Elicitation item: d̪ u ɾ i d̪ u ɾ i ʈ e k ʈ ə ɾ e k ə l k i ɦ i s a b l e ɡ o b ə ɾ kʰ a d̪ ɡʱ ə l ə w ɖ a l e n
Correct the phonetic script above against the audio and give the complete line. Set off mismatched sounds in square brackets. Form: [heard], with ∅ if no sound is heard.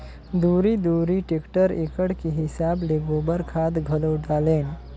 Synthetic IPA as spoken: d̪ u ɾ i d̪ u ɾ i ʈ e k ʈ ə ɾ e k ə [ɽ] k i ɦ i s a b l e ɡ o b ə ɾ kʰ a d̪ ɡʱ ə l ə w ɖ a l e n